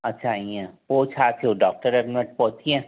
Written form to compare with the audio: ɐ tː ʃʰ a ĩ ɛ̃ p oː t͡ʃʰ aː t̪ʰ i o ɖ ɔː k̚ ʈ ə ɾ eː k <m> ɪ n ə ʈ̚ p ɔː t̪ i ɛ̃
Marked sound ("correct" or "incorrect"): correct